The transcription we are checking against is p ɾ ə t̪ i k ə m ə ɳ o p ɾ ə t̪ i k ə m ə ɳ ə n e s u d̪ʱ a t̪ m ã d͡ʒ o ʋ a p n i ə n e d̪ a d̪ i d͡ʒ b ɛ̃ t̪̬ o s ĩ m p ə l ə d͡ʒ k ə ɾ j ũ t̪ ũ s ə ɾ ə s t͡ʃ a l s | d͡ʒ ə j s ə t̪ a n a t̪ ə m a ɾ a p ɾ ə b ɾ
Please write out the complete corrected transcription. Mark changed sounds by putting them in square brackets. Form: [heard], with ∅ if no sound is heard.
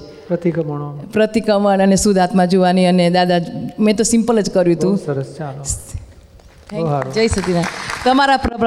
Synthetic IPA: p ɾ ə t̪ i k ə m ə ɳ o p ɾ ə t̪ i k ə m ə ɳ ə n e s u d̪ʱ a t̪ m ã d͡ʒ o ʋ a [∅] n i ə n e d̪ a d̪ [a] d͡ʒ [m] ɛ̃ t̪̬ o s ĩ m p ə l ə d͡ʒ k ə ɾ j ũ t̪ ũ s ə ɾ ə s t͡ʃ a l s | d͡ʒ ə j s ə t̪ [i] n a t̪ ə m a ɾ a p ɾ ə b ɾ